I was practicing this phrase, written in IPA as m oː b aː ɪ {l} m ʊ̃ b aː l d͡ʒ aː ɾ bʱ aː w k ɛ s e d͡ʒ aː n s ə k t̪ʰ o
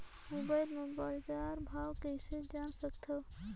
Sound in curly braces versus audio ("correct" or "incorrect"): correct